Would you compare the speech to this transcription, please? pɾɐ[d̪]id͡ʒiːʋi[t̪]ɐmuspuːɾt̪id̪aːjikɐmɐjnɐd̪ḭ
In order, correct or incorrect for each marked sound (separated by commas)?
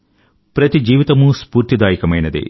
incorrect, correct